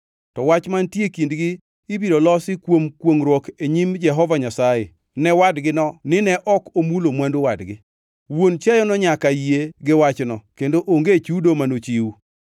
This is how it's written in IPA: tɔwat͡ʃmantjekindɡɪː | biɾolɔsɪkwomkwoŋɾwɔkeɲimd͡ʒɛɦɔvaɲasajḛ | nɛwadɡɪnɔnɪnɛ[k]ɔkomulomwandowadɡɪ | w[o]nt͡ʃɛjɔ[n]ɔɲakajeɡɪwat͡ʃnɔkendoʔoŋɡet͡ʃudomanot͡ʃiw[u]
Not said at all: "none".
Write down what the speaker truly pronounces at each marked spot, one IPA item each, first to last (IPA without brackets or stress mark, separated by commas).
ʔ, o, n, u